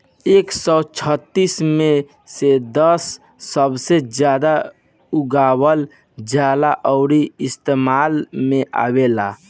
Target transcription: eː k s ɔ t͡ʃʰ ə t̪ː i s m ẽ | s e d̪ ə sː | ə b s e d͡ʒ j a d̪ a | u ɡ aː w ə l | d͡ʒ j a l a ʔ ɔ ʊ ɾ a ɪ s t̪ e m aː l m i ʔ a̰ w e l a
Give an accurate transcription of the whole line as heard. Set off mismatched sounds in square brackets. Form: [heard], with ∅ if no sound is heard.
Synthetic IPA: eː k s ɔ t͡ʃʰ ə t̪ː i s m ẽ | s e d̪ ə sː | ə b s e d͡ʒ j a d̪ a | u ɡ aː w ə l | d͡ʒ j a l a ʔ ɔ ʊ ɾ [i] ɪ s t̪ e m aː l m [e] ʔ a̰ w e l a